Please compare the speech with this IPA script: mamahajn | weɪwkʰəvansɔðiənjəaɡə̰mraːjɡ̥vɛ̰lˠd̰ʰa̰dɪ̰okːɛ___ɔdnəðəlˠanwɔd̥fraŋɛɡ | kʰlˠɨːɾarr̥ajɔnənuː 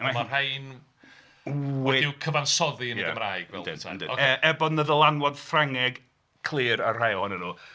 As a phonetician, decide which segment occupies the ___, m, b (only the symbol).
b